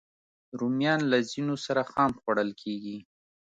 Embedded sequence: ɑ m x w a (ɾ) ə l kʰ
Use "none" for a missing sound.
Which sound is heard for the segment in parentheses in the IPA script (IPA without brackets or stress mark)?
ɽ